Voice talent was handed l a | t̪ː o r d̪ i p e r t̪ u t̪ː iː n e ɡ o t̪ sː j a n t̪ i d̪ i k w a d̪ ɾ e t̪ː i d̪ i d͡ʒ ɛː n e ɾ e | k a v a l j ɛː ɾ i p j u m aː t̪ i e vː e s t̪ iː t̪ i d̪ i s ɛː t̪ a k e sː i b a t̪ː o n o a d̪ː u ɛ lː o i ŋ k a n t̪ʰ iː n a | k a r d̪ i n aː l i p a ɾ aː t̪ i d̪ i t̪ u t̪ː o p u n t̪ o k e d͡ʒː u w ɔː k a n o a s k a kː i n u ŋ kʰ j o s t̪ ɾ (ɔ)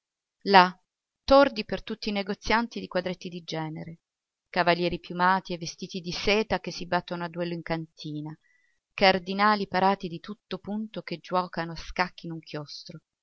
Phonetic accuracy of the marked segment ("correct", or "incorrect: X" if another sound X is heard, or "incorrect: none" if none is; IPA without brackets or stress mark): incorrect: o